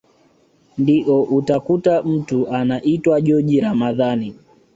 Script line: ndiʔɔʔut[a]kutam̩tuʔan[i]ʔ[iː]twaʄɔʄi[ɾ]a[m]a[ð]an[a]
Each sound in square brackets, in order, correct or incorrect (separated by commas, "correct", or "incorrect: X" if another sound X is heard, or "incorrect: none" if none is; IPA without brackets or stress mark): correct, incorrect: a, incorrect: i, correct, correct, correct, incorrect: i